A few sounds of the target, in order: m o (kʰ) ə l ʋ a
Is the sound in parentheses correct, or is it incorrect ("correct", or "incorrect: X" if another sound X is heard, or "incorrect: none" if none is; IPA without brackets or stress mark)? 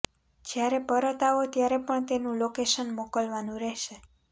incorrect: k